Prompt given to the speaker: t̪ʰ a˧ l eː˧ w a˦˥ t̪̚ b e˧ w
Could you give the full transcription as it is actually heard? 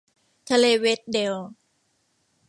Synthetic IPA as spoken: t̪ʰ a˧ l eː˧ w e˦˥ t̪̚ d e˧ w

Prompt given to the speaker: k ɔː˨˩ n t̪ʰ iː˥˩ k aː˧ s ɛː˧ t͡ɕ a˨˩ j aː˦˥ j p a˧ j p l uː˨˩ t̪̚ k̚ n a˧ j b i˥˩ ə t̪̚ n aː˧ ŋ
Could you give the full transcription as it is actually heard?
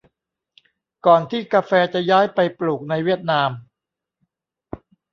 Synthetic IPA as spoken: k ɔː˨˩ n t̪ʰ iː˥˩ k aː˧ f ɛː˧ t͡ɕ a˨˩ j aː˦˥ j p a˧ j p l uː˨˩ k̚ n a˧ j w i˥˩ ə t̪̚ n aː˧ m

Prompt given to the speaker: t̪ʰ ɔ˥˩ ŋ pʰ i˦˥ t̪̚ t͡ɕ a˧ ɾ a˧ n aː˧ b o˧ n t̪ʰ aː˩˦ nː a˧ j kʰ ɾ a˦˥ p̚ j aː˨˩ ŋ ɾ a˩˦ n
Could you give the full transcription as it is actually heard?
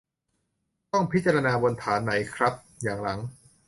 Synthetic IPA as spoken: t̪ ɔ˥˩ ŋ pʰ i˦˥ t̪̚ t͡ɕ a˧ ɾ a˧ n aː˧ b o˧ n t̪ʰ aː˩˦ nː a˩˦ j kʰ ɾ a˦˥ p̚ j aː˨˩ ŋ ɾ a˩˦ ŋ

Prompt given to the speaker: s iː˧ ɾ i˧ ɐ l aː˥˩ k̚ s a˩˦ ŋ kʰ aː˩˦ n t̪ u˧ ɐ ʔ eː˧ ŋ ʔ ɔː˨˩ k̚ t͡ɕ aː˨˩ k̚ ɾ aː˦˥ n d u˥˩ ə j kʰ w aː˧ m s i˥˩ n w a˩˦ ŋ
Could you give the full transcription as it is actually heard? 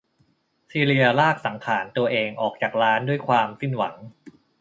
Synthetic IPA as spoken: s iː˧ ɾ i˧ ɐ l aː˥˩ k̚ s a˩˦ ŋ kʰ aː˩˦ n t̪ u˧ ɐ ʔ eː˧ ŋ ʔ ɔː˨˩ k̚ t͡ɕ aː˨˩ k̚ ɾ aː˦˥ n d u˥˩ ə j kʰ w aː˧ m s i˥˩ n w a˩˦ ŋ

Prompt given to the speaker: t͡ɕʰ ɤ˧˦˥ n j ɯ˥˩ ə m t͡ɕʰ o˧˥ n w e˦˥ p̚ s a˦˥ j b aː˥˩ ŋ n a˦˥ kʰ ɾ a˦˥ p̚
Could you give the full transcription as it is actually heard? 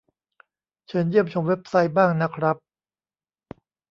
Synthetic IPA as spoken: t͡ɕʰ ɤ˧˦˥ n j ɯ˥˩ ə m t͡ɕʰ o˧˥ m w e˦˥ p̚ s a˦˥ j b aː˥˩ ŋ n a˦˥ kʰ ɾ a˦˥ p̚

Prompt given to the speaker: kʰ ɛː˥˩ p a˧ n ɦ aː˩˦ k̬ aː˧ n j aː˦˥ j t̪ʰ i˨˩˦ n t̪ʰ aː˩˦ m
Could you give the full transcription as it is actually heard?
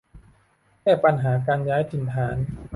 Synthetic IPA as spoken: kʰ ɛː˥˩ p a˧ n ɦ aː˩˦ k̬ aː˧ n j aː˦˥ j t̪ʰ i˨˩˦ n t̪ʰ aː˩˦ n

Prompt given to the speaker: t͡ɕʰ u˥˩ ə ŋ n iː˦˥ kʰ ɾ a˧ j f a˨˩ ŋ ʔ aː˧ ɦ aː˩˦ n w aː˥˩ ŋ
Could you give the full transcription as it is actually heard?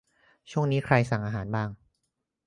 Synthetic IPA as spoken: t͡ɕʰ u˥˩ ə ŋ n iː˦˥ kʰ ɾ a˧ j s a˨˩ ŋ ʔ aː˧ ɦ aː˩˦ n b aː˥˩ ŋ

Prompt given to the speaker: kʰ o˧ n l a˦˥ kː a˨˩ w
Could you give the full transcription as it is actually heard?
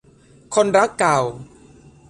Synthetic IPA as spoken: kʰ o˧ n ɾ a˦˥ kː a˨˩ w

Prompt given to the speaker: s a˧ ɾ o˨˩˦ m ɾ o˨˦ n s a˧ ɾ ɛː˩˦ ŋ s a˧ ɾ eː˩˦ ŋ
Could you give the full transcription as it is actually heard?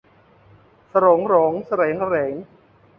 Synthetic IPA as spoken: s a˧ ɾ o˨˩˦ ŋ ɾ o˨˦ ŋ s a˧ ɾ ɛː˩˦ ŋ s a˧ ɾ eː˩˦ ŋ

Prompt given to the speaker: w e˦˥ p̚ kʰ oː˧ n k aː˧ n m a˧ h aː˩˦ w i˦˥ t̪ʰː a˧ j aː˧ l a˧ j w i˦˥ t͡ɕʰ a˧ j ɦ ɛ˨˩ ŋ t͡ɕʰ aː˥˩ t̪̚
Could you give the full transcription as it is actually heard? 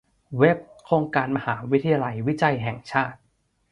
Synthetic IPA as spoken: w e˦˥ p̚ kʰ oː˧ ŋ k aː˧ n m a˧ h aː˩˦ w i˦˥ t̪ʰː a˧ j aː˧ l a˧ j w i˦˥ t͡ɕ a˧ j ɦ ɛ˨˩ ŋ t͡ɕʰ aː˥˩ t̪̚

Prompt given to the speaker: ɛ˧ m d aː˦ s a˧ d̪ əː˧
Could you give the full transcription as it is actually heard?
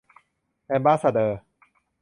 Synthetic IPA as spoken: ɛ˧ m b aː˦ s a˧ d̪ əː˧

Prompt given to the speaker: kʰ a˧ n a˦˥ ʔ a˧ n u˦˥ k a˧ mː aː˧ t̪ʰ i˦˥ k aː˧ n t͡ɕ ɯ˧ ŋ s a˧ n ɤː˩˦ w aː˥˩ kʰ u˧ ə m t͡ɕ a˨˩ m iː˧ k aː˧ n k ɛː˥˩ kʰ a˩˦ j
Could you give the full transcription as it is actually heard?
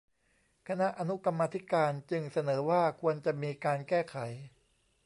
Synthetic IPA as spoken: kʰ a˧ n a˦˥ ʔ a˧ n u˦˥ k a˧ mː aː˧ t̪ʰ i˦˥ k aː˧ n t͡ɕ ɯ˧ ŋ s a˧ n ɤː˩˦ w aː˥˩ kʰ u˧ ə n t͡ɕ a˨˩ m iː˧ k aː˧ n k ɛː˥˩ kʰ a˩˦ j

